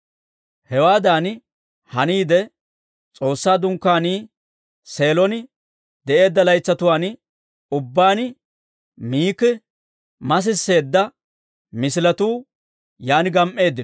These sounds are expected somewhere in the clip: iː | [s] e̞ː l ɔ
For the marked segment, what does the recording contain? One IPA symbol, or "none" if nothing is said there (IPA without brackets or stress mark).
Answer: s